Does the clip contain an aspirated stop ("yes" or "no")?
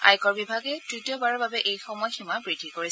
no